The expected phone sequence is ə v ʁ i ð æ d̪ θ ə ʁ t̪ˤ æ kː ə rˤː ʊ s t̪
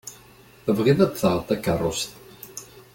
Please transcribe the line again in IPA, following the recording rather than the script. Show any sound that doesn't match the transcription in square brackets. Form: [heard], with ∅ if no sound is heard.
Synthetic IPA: ə v ʁ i ð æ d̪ θ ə ʁ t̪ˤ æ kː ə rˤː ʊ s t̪